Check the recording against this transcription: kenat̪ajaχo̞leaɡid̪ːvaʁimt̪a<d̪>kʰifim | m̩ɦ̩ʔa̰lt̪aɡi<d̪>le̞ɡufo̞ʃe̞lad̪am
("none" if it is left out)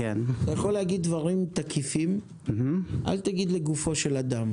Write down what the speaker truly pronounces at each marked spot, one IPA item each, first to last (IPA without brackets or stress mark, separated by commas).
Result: none, d̪